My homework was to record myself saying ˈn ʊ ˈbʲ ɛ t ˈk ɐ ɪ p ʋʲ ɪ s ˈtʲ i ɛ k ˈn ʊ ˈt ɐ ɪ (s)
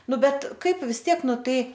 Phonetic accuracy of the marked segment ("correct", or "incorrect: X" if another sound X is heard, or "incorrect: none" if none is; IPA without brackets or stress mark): incorrect: none